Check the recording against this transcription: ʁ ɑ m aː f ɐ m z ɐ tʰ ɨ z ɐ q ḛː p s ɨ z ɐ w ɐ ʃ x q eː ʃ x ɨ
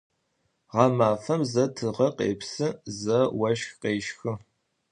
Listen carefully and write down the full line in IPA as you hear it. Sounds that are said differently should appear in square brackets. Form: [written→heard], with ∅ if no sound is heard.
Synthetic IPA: ʁ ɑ m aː f ɐ m z ɐ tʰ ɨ [z→ʁ] ɐ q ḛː p s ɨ z ɐ w ɐ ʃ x q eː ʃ x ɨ